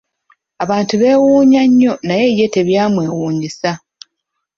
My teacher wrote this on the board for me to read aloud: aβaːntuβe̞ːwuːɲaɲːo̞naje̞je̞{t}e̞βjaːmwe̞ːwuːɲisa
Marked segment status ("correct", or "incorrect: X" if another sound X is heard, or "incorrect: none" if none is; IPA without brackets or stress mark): correct